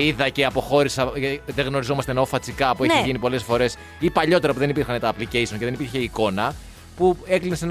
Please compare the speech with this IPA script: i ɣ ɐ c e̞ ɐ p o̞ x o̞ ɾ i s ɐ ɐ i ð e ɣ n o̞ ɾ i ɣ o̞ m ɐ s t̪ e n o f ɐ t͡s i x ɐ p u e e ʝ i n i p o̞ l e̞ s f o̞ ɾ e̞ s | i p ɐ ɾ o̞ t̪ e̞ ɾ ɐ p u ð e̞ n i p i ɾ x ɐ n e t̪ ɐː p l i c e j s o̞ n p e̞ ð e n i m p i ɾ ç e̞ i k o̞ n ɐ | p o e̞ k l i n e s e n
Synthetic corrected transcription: i ð ɐ c e̞ ɐ p o̞ x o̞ ɾ i s ɐ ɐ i ð e ɣ n o̞ ɾ i z o̞ m ɐ s t̪ e n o f ɐ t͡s i k ɐ p u e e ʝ i n i p o̞ l e̞ s f o̞ ɾ e̞ s | i p ɐ ʎ o̞ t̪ e̞ ɾ ɐ p u ð e̞ n i p i ɾ x ɐ n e t̪ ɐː p l i c e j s o̞ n c e̞ ð e n i p i ɾ ç e̞ i k o̞ n ɐ | p u e̞ k l i n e s e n